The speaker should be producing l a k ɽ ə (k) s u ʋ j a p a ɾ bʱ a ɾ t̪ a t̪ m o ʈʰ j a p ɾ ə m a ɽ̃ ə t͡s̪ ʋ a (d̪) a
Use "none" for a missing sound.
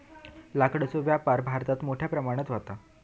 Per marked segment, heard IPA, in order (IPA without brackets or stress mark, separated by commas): none, t̪